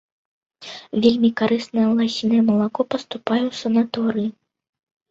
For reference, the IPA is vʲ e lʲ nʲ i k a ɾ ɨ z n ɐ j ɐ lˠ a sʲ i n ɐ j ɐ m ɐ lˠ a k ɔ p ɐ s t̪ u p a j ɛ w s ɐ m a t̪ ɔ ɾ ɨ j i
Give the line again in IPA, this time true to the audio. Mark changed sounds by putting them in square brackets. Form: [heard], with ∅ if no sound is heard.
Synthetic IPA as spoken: vʲ e lʲ [mʲ] i k a ɾ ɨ [s] n ɐ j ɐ lˠ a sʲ i n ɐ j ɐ m ɐ lˠ a k ɔ p ɐ s t̪ u p a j ɛ w s ɐ [n] a t̪ ɔ ɾ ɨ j i